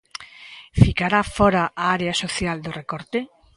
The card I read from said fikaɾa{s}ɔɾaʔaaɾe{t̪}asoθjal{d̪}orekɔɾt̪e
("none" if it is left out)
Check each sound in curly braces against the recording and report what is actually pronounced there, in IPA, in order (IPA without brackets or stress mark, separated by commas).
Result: f, none, d̪